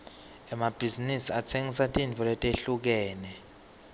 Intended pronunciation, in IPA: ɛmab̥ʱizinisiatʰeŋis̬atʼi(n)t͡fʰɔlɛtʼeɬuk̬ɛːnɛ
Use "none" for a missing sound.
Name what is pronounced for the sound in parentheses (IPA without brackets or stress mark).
n